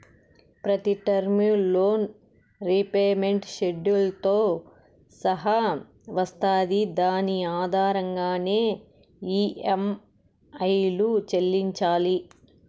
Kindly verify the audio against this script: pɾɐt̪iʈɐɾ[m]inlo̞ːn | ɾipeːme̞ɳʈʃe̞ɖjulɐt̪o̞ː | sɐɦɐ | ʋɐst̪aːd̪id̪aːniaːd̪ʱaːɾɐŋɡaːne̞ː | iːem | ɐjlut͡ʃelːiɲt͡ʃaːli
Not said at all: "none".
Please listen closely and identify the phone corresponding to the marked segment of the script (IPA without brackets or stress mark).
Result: m